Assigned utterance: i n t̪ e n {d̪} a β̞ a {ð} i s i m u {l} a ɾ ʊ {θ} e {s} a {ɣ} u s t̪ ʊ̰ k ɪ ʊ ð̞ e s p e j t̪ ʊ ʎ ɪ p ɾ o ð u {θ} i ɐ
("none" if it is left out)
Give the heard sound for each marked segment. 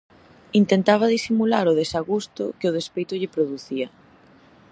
t̪, ð, l, ð, s, ɣ, θ

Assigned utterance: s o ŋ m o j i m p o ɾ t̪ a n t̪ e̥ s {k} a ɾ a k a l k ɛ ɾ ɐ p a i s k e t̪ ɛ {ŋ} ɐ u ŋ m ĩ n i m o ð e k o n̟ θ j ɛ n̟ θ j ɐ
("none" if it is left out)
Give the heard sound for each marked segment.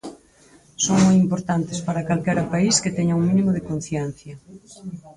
p, ɲ

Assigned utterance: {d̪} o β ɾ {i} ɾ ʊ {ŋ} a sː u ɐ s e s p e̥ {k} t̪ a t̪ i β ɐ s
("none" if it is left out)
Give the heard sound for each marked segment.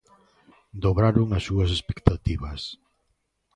d̪, a, ŋ, k

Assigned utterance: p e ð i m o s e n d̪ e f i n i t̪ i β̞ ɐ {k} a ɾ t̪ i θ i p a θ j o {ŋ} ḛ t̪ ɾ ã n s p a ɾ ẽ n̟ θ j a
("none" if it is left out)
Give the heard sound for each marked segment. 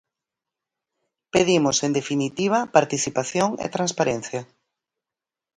p, ŋ

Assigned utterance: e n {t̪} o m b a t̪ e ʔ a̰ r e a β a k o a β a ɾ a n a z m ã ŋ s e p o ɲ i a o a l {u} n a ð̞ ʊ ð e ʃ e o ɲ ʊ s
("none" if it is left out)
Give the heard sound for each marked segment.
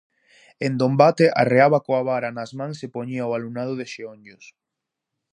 d̪, u

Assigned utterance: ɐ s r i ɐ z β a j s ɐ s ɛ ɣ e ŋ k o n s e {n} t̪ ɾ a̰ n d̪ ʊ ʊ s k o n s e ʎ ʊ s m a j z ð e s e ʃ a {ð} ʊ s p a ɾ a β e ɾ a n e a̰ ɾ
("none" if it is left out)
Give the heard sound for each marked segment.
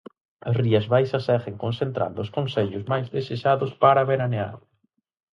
n, ð

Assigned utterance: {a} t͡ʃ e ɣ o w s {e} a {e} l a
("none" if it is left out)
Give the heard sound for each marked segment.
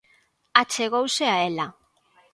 a, e, e

